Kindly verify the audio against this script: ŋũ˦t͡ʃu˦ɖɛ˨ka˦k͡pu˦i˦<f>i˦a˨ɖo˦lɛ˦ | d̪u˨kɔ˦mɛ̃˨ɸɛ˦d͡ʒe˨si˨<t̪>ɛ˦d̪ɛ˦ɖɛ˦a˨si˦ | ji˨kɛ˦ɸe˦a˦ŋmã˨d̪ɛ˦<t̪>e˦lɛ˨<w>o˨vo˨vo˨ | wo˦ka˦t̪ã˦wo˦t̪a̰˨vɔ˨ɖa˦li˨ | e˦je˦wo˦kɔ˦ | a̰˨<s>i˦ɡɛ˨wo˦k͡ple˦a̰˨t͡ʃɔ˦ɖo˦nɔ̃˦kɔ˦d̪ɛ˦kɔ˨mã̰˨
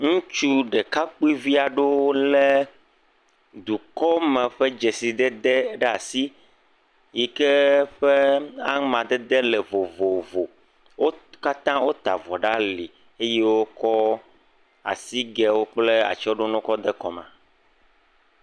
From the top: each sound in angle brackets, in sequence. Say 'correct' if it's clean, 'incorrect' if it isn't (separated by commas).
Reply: incorrect, incorrect, incorrect, incorrect, correct